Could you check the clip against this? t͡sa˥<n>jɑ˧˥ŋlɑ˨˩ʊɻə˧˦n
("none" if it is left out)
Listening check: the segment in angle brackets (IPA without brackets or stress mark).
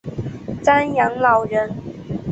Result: n